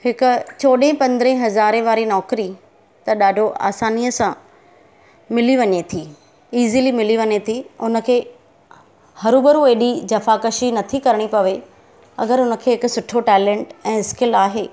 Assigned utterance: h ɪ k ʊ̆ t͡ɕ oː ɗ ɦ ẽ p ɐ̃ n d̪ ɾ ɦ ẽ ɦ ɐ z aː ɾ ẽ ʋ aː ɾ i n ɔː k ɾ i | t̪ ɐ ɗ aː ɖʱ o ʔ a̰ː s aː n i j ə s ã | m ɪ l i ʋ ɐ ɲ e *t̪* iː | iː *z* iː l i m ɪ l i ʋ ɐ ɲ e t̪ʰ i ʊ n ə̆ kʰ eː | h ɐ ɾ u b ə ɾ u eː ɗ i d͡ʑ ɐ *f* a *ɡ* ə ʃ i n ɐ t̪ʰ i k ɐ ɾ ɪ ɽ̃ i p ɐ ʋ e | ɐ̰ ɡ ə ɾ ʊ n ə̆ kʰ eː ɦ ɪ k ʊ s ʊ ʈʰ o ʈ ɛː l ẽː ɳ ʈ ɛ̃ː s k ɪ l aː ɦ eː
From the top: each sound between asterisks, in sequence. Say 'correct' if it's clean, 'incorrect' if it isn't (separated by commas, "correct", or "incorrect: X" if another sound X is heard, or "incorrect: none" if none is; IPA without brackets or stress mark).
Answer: incorrect: t̪ʰ, correct, correct, incorrect: k